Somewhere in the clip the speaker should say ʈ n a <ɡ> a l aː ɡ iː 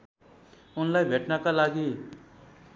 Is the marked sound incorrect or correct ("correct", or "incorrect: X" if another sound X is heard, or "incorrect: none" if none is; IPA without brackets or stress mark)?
incorrect: k